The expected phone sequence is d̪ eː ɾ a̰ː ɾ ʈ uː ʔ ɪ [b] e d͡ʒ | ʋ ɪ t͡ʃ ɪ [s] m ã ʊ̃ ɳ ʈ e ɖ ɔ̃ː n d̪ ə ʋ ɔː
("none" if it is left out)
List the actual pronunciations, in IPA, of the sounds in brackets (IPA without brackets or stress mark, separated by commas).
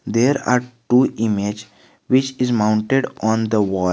m, z